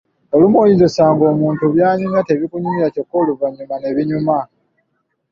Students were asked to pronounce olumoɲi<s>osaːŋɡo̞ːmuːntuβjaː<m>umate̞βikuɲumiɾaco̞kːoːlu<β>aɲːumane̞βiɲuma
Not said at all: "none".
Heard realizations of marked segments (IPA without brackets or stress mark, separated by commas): z, ɲ, v